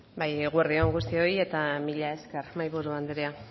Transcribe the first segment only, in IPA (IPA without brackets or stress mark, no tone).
b